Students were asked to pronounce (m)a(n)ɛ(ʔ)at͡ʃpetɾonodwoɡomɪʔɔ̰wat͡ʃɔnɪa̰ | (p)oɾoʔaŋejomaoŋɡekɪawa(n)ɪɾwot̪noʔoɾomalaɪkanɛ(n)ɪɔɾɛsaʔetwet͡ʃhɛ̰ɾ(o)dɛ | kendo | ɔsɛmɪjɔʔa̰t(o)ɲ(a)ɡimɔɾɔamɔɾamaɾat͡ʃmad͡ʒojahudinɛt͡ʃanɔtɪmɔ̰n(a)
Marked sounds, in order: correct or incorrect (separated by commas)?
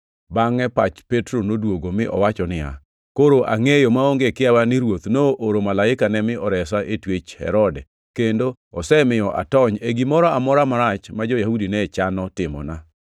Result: incorrect, incorrect, incorrect, incorrect, correct, incorrect, incorrect, incorrect, incorrect, correct